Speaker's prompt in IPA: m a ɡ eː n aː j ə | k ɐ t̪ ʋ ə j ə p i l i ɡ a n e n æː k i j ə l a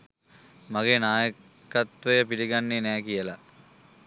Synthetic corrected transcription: m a ɡ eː n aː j ə | k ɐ t̪ ʋ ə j ə p i l i ɡ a nː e n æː k i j ə l a